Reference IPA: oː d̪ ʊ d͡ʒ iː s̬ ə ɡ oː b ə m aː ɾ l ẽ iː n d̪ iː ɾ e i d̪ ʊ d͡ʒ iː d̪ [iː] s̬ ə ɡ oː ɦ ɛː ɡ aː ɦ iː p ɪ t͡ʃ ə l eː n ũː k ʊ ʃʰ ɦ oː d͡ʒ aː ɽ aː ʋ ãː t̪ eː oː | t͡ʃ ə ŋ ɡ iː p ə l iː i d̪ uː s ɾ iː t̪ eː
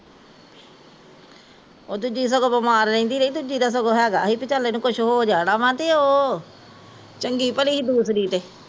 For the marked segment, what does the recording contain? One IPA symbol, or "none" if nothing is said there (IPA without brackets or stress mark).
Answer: aː